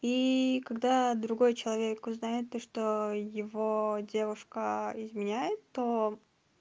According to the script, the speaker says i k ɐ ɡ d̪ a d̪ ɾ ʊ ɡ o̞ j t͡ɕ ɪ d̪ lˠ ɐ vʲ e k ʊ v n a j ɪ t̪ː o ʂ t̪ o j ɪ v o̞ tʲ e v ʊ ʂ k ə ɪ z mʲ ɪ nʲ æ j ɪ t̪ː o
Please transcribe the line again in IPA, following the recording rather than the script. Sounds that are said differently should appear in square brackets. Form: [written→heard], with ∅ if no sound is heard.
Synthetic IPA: i k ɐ ɡ d̪ a d̪ ɾ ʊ ɡ o̞ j t͡ɕ ɪ [d̪→∅] lˠ ɐ vʲ e k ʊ [v→z] n a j ɪ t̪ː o ʂ t̪ o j ɪ v o̞ [tʲ→dʲ] e v ʊ ʂ k ə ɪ z mʲ ɪ nʲ æ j ɪ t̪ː o